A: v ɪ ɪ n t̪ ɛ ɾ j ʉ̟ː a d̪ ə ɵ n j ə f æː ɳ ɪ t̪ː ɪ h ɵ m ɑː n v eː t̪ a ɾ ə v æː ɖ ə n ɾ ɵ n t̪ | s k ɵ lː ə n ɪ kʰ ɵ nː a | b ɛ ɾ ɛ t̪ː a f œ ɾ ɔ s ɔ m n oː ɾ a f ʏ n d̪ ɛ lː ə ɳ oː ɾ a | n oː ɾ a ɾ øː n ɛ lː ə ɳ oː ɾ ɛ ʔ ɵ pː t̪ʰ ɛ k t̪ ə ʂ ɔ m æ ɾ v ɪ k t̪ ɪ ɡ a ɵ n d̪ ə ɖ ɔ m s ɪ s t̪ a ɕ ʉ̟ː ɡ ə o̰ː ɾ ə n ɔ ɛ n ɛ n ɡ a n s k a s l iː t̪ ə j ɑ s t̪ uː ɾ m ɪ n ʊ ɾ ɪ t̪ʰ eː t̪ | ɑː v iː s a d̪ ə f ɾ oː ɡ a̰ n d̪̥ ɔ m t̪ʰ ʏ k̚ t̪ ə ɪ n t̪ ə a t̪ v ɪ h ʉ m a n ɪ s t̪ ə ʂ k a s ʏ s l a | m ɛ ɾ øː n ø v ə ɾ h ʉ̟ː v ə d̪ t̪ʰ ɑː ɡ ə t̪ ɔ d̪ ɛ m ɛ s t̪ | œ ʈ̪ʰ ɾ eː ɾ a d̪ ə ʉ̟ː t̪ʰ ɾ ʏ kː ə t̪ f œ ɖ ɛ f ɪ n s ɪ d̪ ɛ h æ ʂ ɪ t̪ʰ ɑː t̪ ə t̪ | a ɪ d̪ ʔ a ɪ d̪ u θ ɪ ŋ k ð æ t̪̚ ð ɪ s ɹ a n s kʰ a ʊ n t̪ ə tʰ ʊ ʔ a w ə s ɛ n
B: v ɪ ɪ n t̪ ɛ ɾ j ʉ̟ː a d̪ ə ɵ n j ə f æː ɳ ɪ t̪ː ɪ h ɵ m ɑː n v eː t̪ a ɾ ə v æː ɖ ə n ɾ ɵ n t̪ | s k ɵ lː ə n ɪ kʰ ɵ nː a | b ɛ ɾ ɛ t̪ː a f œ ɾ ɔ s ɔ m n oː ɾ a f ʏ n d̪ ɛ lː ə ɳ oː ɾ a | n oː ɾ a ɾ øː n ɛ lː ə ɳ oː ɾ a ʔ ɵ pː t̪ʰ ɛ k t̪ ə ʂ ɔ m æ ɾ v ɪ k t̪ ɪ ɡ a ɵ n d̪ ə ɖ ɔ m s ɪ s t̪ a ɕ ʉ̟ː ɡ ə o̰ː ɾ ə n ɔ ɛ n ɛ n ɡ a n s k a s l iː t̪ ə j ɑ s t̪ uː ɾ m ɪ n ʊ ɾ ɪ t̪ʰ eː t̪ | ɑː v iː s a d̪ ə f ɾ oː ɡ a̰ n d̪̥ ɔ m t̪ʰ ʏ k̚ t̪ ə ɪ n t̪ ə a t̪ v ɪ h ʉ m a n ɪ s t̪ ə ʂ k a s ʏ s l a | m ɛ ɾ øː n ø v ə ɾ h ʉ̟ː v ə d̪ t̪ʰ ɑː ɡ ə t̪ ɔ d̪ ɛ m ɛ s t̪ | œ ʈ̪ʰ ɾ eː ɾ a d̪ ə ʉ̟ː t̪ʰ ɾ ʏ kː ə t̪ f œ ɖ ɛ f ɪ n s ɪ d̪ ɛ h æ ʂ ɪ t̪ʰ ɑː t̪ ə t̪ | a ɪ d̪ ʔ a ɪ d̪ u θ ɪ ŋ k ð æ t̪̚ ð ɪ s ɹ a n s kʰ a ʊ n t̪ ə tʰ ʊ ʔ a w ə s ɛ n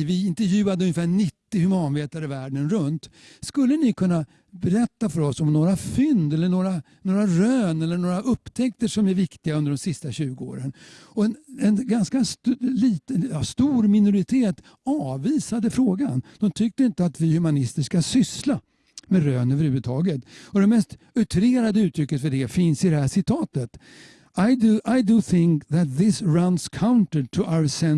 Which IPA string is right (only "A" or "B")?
B